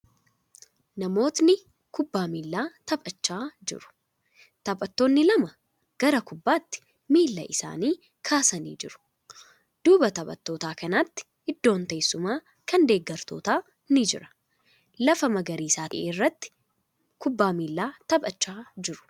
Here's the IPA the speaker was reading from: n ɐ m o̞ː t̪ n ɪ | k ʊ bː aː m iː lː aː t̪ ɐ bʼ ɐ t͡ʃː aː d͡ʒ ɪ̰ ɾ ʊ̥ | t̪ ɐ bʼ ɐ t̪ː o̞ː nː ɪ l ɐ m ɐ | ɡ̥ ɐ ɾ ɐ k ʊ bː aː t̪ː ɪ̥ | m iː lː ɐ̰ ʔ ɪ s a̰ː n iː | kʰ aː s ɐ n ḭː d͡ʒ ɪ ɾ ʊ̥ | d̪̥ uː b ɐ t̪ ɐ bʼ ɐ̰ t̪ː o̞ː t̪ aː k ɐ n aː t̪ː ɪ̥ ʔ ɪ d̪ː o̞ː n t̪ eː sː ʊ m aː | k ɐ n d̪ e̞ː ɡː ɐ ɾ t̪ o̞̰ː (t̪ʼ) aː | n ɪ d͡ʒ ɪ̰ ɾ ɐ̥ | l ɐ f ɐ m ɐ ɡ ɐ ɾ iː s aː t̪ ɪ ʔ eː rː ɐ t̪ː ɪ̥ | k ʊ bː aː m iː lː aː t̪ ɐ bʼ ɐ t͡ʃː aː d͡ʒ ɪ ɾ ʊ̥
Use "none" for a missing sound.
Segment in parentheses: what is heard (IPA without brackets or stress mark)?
t̪